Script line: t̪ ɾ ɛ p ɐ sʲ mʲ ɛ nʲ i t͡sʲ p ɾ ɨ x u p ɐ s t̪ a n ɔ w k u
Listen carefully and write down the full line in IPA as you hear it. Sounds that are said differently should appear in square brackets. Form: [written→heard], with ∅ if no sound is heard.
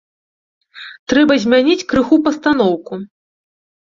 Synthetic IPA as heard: t̪ ɾ ɛ [p→b] ɐ [sʲ→zʲ] mʲ [ɛ→a] nʲ i t͡sʲ [p→k] ɾ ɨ x u p ɐ s t̪ a n ɔ w k u